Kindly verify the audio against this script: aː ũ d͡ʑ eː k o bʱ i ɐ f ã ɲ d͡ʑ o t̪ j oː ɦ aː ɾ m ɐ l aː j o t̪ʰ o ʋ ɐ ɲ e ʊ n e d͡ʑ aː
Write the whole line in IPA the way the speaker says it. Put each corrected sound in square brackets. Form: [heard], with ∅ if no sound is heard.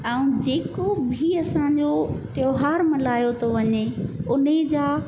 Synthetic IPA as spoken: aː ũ d͡ʑ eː k o bʱ i ɐ [s] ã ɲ d͡ʑ o t̪ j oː ɦ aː ɾ m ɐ l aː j o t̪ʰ o ʋ ɐ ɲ e ʊ n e d͡ʑ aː